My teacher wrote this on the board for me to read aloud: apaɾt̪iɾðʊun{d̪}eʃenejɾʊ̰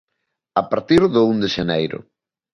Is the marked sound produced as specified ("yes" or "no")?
yes